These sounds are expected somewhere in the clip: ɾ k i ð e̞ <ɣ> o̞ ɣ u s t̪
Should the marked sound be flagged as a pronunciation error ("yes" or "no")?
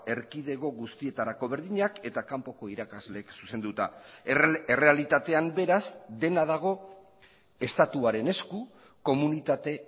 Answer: no